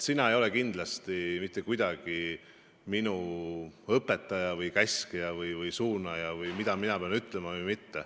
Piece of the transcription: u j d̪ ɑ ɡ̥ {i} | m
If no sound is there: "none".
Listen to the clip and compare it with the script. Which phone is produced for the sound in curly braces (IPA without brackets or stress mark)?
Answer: i